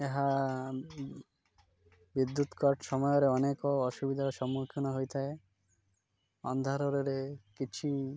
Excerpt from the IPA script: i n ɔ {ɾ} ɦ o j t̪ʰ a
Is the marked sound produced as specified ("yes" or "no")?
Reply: no